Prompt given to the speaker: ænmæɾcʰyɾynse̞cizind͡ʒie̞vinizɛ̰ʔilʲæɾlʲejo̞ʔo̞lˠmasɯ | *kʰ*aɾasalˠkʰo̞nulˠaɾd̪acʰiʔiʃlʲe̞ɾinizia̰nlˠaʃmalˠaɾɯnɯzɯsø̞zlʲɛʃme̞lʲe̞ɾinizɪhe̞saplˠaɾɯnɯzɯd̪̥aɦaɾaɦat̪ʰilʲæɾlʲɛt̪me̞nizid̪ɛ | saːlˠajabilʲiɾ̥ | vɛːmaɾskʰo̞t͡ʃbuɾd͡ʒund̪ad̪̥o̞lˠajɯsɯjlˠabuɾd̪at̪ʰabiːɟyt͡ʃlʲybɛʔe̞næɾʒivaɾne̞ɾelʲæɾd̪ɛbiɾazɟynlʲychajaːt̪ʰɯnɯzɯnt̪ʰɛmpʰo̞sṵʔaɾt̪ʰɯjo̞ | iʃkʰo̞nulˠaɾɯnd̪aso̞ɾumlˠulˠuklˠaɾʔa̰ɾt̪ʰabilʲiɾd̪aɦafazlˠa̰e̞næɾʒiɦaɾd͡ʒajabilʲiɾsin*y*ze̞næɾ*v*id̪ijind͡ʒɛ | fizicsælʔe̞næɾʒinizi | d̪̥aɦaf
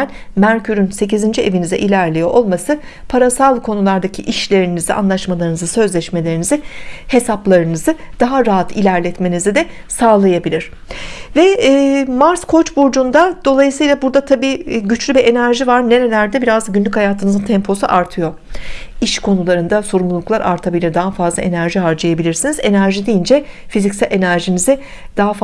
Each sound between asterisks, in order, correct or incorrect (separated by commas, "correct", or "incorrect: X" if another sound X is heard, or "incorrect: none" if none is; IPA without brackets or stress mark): incorrect: pʰ, incorrect: i, incorrect: ʒ